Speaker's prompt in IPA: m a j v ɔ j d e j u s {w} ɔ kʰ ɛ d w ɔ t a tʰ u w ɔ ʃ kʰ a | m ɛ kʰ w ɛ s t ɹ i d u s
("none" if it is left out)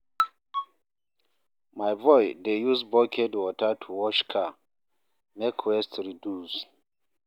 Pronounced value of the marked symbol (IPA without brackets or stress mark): b